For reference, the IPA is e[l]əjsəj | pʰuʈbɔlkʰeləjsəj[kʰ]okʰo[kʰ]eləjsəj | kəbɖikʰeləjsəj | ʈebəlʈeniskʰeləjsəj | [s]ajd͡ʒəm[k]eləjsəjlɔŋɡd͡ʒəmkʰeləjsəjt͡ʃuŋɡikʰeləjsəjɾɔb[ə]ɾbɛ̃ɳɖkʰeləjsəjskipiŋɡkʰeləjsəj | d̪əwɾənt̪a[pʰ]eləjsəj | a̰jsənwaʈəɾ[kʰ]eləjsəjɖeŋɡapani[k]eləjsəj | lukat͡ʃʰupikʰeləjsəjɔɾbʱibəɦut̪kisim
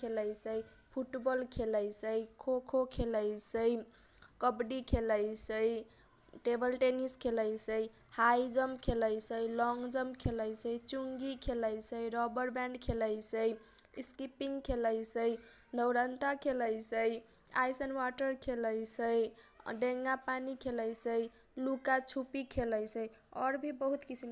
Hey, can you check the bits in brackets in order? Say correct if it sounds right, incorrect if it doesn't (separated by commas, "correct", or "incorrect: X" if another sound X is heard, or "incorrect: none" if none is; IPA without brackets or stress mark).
correct, correct, correct, incorrect: h, incorrect: kʰ, correct, incorrect: kʰ, correct, incorrect: kʰ